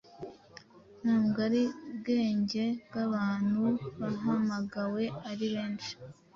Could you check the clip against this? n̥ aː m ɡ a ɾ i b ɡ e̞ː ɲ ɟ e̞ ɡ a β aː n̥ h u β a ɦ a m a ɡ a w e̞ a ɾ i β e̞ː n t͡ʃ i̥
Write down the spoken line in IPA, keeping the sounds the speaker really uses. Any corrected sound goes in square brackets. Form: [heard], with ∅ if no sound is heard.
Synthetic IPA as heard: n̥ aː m ɡ a ɾ i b ɡ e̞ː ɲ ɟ e̞ ɡ a β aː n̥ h u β a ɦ a m a ɡ a w e̞ a ɾ i β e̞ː n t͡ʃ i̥